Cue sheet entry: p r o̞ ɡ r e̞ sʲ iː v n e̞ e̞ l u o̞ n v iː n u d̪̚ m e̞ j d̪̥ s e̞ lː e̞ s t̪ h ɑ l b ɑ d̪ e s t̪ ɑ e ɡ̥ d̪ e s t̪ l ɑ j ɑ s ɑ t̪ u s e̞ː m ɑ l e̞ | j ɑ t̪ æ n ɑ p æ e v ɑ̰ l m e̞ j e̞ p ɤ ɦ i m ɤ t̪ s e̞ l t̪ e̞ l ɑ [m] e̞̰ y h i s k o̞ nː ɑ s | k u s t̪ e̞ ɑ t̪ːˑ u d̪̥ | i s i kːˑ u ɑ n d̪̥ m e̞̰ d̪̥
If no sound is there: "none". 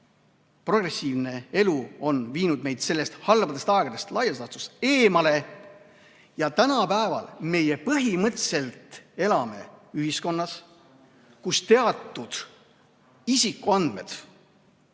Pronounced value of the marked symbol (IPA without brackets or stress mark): m